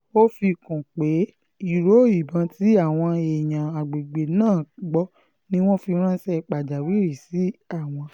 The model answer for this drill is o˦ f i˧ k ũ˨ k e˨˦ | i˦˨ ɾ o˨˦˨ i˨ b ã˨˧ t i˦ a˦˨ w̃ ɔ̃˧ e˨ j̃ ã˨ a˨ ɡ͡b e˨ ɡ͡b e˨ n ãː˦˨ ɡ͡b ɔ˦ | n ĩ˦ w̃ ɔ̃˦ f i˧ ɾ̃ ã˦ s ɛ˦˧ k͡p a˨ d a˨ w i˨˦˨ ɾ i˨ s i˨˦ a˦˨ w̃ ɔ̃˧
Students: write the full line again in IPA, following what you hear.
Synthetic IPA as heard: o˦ f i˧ k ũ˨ k͡p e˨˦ | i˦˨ ɾ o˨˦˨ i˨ b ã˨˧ t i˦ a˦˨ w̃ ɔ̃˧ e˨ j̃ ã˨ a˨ ɡ͡b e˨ ɡ͡b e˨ n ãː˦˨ ɡ͡b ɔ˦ | n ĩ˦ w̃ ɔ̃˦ f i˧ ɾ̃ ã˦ s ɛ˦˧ k͡p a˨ d͡ʒ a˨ w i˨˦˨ ɾ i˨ s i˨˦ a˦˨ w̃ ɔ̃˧